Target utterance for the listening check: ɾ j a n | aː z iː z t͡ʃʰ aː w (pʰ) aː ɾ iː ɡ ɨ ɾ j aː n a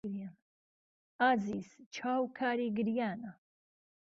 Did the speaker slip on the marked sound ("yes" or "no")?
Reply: yes